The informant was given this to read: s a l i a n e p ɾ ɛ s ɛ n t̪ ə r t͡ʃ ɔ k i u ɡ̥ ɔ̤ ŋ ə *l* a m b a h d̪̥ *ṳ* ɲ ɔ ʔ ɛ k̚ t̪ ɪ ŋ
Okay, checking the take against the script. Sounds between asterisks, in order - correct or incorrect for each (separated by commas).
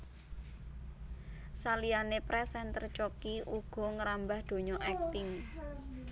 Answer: incorrect, incorrect